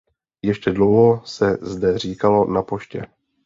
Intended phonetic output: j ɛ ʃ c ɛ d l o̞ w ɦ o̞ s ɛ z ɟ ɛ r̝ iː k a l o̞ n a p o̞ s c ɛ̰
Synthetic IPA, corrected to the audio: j ɛ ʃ c ɛ d l o̞ w ɦ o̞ s ɛ z d ɛ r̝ iː k a l o̞ n a p o̞ ʃ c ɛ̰